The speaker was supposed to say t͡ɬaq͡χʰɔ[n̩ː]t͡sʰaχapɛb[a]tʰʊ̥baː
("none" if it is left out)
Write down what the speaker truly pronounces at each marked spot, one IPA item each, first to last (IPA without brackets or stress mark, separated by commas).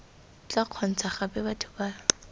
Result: n̩, a